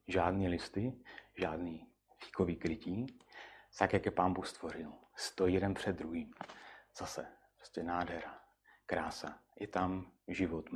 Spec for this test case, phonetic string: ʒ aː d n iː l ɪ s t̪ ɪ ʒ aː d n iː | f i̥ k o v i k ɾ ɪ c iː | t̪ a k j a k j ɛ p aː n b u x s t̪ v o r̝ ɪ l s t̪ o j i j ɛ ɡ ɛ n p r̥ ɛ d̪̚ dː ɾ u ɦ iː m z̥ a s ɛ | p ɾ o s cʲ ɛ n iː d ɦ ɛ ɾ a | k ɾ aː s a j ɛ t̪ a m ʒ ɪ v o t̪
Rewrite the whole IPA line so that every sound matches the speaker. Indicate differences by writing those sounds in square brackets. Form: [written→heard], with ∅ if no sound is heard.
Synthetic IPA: ʒ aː d n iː l ɪ s t̪ ɪ ʒ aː d n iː | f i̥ k o v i k ɾ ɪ c iː | t̪ a k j a k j ɛ p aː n b u x s t̪ v o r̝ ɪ l s t̪ o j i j ɛ [ɡ→d] ɛ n p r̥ ɛ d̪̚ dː ɾ u ɦ iː m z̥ a s ɛ | p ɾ o s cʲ ɛ n [iː→aː] d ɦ ɛ ɾ a | k ɾ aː s a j ɛ t̪ a m ʒ ɪ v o t̪